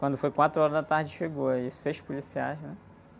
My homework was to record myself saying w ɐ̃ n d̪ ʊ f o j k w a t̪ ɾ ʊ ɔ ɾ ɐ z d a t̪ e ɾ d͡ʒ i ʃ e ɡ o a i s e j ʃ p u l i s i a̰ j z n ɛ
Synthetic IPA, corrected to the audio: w ɐ̃ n d̪ ʊ f o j k w a t̪ ɾ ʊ ɔ ɾ ɐ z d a t̪ a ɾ d͡ʒ ɪ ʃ e ɡ o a i s e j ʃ p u l i s i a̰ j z n ɛ